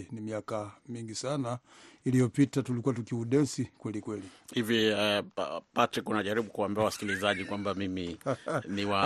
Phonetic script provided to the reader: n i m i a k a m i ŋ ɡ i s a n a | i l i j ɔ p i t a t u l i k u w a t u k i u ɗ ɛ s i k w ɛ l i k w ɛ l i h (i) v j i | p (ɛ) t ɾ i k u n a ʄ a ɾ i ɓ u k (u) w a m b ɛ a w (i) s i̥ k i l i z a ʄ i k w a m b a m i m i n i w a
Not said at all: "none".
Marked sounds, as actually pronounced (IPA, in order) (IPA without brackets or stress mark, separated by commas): i, a, u, a